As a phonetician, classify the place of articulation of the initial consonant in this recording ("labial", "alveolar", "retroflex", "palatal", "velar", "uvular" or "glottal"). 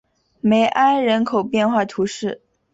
labial